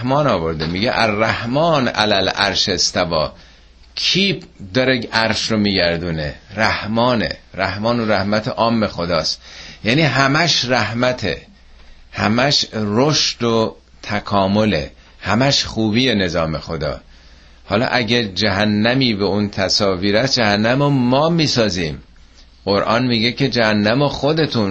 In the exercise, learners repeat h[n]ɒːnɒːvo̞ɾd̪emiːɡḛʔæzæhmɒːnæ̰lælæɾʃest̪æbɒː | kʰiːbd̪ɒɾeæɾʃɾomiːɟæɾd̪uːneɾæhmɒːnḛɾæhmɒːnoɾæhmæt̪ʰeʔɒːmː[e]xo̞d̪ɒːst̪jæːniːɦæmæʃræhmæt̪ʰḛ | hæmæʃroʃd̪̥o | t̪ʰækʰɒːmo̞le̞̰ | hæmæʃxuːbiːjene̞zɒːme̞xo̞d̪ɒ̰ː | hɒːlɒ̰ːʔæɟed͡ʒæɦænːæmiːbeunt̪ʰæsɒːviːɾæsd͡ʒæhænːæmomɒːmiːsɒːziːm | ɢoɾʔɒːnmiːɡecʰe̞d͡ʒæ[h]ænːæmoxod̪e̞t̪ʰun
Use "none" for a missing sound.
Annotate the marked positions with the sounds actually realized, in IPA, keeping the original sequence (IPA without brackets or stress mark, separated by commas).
m, e, h